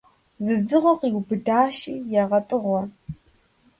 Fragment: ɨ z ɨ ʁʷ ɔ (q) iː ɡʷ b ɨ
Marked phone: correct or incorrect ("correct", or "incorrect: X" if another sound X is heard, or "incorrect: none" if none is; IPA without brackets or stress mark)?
correct